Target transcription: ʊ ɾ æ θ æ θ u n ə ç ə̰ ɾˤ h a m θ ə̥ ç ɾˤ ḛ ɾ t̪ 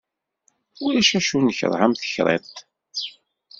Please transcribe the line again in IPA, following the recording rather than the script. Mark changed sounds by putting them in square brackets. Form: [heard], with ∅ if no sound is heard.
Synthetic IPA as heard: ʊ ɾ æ [ʃ] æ [ʃ] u n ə ç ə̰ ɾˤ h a m θ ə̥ ç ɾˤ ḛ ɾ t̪